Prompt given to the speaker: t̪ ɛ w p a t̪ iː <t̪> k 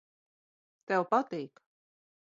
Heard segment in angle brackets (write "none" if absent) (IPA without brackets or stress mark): none